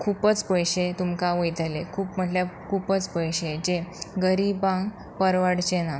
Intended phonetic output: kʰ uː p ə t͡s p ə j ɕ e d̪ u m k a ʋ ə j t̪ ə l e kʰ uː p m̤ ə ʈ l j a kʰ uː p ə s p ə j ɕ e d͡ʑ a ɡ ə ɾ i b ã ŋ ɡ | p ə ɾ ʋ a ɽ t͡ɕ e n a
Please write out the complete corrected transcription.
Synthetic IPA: kʰ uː p ə t͡s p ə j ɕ e t̪ u m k a ʋ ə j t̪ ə l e kʰ uː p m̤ ə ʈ l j a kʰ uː p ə t͡s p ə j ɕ e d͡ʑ e ɡ ə ɾ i b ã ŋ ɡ | p ə ɾ ʋ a ɽ t͡ɕ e n a